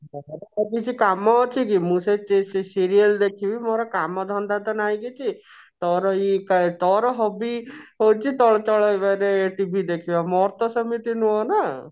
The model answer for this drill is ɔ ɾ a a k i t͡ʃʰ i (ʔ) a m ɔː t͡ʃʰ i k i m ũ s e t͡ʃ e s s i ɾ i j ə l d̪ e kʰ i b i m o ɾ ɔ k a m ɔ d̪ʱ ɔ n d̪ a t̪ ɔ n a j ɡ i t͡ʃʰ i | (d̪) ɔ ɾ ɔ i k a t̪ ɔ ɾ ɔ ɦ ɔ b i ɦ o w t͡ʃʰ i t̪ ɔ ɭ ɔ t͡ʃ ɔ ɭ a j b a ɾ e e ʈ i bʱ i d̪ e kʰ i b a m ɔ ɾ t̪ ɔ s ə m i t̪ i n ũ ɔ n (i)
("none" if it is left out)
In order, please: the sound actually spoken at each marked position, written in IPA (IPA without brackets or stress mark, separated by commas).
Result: k, t̪, a